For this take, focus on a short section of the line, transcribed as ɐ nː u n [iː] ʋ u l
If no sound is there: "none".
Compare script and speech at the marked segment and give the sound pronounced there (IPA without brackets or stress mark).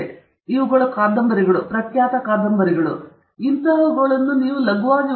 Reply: iː